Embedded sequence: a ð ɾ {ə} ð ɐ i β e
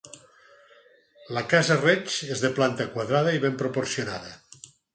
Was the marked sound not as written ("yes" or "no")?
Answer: yes